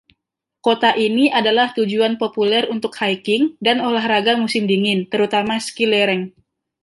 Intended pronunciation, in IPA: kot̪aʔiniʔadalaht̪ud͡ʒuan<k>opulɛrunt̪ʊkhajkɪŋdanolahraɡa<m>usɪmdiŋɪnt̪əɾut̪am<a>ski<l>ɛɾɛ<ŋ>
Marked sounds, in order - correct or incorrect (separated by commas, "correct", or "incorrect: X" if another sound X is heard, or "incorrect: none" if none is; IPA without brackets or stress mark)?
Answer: incorrect: p, correct, correct, correct, correct